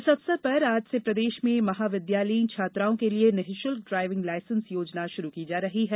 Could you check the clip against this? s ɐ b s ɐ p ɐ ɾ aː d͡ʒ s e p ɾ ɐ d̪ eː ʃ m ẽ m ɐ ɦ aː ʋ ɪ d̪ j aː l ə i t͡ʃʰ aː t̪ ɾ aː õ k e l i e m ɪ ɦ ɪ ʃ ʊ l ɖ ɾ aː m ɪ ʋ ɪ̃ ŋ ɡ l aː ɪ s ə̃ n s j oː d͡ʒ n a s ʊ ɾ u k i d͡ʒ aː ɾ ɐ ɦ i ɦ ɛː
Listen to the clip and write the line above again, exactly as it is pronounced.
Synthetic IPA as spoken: s ɐ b s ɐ p ɐ ɾ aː d͡ʒ s e p ɾ ɐ d̪ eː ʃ m ẽ m ɐ ɦ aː ʋ ɪ d̪ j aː l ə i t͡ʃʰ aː t̪ ɾ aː õ k e l i e n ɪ ɦ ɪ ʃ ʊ l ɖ ɾ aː ɪ ʋ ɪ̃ ŋ ɡ l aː ɪ s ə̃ n s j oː d͡ʒ n a ʃ ʊ ɾ u k i d͡ʒ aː ɾ ɐ ɦ i ɦ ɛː